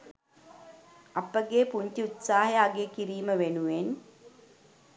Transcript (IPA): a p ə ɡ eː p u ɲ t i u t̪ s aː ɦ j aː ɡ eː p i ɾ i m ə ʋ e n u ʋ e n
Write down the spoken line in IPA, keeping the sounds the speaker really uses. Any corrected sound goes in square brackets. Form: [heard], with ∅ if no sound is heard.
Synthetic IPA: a p ə ɡ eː p u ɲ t i u t̪ s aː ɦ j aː ɡ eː [k] i ɾ [iː] m ə ʋ e n u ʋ e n